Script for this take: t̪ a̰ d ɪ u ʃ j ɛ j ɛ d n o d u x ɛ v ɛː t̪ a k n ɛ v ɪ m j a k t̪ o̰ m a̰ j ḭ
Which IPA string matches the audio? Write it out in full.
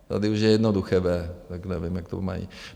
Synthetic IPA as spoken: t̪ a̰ d ɪ u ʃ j ɛ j ɛ d n o d u x ɛ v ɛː t̪ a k n ɛ v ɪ m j a k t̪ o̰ m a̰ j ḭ